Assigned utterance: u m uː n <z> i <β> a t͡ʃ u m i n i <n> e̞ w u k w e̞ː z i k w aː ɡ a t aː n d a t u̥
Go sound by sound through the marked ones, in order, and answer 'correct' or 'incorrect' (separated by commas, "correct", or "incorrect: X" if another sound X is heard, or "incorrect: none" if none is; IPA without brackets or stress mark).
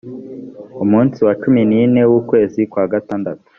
incorrect: s, incorrect: w, correct